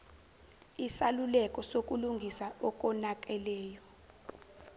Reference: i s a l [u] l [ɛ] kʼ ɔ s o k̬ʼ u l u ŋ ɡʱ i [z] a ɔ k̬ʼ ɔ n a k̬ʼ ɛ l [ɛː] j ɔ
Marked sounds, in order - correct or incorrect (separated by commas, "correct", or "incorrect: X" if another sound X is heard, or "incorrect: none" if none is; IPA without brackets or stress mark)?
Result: correct, correct, incorrect: s, correct